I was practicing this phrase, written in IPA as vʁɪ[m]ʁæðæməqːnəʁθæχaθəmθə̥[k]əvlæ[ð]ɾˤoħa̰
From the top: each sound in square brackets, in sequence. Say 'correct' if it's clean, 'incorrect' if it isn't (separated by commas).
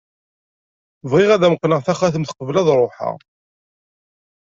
incorrect, incorrect, correct